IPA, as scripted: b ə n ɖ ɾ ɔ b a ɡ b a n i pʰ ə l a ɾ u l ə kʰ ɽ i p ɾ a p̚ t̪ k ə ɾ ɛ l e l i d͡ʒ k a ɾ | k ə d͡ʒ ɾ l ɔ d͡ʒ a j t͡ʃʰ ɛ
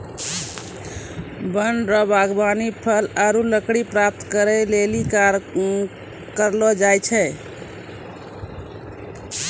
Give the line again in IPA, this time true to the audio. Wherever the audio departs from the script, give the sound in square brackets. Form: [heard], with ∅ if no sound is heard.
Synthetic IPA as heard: b ə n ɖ ɾ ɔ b a ɡ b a n i pʰ ə l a ɾ u l ə [k] ɽ i p ɾ a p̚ t̪ k ə ɾ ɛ l e l i [∅] k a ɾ | k ə [∅] ɾ l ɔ d͡ʒ a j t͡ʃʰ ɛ